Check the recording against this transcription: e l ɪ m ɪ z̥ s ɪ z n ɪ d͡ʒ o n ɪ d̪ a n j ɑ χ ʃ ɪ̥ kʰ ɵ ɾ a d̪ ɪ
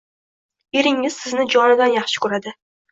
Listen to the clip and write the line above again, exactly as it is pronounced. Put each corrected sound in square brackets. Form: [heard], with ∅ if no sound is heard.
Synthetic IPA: e [ɾ] ɪ [ŋ] ɪ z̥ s ɪ z n ɪ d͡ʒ [ɒ] n ɪ d̪ a n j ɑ χ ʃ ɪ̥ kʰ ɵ ɾ a d̪ ɪ

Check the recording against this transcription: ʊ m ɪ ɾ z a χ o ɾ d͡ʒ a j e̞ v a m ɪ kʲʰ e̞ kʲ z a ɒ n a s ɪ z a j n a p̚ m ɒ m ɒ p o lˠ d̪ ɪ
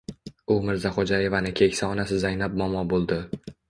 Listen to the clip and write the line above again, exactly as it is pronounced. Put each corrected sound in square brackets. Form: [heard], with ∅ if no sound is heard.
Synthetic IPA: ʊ m ɪ ɾ z a χ o [∅] d͡ʒ a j e̞ v a [n] ɪ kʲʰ e̞ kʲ [s] a ɒ n a s ɪ z a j n a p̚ m ɒ m ɒ [b] o lˠ d̪ ɪ

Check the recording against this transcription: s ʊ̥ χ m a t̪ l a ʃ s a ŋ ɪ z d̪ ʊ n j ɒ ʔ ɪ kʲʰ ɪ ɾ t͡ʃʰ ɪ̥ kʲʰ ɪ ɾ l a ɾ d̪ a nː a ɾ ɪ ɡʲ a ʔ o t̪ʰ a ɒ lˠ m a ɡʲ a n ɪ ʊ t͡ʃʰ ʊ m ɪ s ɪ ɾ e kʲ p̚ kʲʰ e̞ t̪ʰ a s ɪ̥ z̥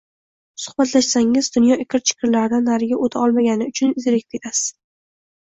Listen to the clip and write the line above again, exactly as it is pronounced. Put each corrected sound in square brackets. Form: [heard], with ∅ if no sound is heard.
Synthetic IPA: s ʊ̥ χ [b] a t̪ l a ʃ s a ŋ ɪ z d̪ ʊ n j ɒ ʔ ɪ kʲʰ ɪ ɾ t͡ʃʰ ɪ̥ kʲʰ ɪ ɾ l a ɾ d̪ a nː a ɾ ɪ ɡʲ a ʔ o t̪ʰ a ɒ lˠ m a ɡʲ a n ɪ ʊ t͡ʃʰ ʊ [n] ɪ [z] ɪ ɾ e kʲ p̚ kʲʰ e̞ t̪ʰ a s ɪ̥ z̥

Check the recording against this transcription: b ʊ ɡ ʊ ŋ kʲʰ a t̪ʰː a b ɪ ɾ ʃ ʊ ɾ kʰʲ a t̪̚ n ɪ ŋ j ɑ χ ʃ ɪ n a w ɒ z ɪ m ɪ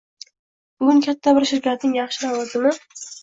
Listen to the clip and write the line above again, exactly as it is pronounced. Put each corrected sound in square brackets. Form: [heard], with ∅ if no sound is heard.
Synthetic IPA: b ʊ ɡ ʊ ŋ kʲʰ a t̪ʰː a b ɪ ɾ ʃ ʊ ɾ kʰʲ a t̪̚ n ɪ ŋ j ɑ χ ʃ ɪ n a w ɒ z ɪ m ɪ

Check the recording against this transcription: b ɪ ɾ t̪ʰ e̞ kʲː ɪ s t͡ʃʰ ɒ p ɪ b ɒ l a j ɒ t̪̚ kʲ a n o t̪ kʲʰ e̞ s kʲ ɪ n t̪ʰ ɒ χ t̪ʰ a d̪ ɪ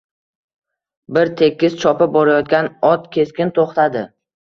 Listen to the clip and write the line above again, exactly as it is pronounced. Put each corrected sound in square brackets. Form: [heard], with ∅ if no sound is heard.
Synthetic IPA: b ɪ ɾ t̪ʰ e̞ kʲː ɪ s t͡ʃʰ ɒ p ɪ b ɒ [ɾ] a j ɒ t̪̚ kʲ a n [ɒ] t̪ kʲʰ e̞ s kʲ ɪ n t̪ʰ [o] χ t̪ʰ a d̪ ɪ

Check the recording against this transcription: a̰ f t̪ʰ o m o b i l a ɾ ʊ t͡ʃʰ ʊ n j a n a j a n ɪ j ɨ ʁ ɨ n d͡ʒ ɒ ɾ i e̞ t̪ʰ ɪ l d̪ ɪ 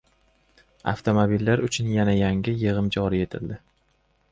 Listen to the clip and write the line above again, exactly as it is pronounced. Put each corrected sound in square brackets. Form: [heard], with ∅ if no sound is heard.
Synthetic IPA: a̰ f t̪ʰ o m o b i [lː] a ɾ ʊ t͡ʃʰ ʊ n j a n a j a [ŋ] ɪ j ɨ ʁ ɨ [m] d͡ʒ ɒ ɾ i e̞ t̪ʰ ɪ l d̪ ɪ

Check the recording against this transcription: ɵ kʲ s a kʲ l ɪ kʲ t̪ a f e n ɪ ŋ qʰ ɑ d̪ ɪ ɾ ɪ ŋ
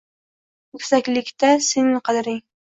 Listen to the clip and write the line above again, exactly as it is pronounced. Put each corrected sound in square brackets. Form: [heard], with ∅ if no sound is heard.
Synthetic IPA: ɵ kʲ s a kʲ l ɪ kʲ t̪ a [s] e n ɪ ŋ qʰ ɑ d̪ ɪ ɾ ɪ ŋ

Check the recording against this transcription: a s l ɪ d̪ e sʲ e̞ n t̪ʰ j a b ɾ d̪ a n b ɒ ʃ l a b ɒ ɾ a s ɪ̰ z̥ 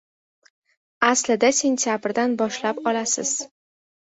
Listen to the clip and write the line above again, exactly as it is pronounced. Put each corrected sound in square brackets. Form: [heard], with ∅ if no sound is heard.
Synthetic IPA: a s l ɪ d̪ [a] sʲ e̞ n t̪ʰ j a b ɾ d̪ a n b ɒ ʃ l a [p] ɒ [l] a s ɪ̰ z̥

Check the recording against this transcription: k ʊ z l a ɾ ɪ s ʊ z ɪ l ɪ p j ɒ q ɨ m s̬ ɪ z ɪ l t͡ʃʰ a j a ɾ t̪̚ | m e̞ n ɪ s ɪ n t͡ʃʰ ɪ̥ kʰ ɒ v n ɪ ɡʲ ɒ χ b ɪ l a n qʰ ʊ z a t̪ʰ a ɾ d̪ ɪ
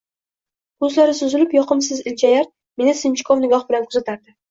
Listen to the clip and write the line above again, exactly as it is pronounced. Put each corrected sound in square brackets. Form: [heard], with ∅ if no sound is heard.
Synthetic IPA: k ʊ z l a ɾ ɪ s ʊ z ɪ l ɪ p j ɒ q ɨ m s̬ ɪ z ɪ l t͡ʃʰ a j a ɾ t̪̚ | m e̞ n ɪ s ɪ n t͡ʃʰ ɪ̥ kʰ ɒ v n ɪ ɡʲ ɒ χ b ɪ l a n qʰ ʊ z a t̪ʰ a ɾ d̪ ɪ

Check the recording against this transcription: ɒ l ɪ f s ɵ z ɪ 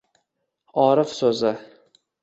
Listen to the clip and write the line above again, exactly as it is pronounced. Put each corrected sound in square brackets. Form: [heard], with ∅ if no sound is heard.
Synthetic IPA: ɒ [ɾ] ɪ f s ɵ z ɪ

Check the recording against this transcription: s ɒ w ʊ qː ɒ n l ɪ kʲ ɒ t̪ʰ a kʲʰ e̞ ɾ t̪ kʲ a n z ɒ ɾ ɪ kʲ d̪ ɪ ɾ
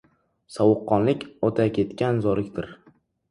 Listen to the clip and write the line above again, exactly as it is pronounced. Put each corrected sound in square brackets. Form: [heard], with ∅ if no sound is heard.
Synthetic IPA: s ɒ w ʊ qː ɒ n l ɪ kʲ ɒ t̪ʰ a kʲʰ e̞ [∅] t̪ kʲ a n z ɒ ɾ ɪ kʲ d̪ ɪ ɾ

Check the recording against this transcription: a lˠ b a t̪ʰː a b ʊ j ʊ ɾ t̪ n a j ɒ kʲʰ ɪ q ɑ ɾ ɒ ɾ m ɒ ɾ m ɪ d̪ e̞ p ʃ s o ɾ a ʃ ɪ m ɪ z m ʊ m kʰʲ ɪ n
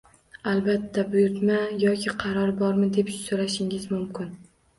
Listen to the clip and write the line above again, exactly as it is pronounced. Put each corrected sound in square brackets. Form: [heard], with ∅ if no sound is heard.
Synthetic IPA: a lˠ b a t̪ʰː a b ʊ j ʊ ɾ t̪ [m] a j ɒ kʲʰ ɪ [qʰ] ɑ ɾ ɒ ɾ [b] ɒ ɾ m ɪ d̪ e̞ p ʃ s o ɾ a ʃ ɪ [ŋ] ɪ z m ʊ m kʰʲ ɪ n

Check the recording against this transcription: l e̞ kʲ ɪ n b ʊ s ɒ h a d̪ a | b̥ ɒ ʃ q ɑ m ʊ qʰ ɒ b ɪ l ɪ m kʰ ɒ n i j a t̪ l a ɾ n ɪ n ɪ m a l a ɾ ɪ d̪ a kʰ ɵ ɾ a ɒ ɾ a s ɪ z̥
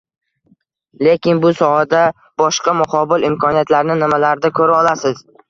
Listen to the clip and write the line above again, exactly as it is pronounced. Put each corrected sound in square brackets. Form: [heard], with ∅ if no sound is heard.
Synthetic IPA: l e̞ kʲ ɪ n b ʊ s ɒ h a d̪ a | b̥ ɒ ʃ q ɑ m ʊ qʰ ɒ b ɪ l ɪ m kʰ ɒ n i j a t̪ l a ɾ n ɪ n ɪ m a l a ɾ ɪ d̪ a kʰ ɵ ɾ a ɒ [l] a s ɪ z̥

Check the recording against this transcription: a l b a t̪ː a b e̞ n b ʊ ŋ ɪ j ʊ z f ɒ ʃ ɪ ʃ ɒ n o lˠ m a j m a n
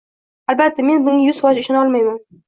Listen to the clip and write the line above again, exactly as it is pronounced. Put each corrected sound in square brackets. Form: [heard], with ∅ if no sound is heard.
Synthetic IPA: a l b a t̪ː a [m] e̞ n b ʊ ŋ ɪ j ʊ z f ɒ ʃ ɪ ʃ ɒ n [ɒ] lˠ m a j m a n

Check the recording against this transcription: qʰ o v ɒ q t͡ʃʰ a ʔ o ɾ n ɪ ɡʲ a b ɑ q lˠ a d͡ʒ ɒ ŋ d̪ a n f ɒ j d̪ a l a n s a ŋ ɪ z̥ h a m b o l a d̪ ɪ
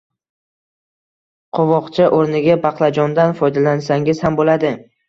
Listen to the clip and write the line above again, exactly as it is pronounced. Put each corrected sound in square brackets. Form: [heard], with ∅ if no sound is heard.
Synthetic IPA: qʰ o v ɒ q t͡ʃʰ a ʔ o ɾ n ɪ ɡʲ a b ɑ q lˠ a d͡ʒ ɒ [n] d̪ a n f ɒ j d̪ a l a n s a ŋ ɪ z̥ h a m b o l a d̪ ɪ

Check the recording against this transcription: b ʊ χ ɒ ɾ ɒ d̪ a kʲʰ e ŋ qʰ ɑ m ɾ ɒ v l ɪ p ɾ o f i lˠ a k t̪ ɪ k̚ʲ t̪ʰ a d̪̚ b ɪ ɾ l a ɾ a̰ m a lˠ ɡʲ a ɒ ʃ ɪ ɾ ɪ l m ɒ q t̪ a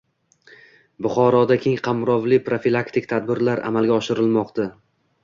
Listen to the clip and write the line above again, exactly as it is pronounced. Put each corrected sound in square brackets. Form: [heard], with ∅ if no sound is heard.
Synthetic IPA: b ʊ χ ɒ ɾ ɒ d̪ a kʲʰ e ŋ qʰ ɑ m ɾ ɒ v l ɪ p ɾ o f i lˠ a k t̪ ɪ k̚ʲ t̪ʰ a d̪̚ b ɪ ɾ l a ɾ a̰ m a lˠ ɡʲ a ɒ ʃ ɪ ɾ ɪ l m ɒ q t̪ a

